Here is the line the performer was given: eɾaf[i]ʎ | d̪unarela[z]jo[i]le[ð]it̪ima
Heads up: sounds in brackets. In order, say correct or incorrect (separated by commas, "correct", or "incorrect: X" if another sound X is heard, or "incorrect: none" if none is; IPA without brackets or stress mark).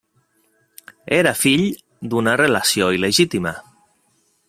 correct, incorrect: s, correct, incorrect: ʒ